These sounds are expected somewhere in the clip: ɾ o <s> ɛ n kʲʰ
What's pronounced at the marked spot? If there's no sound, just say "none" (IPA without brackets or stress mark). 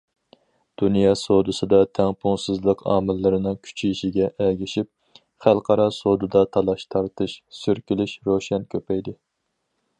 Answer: ʃ